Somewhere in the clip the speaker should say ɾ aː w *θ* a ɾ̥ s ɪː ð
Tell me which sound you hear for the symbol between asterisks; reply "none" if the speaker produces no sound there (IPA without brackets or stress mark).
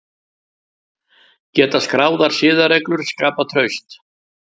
ð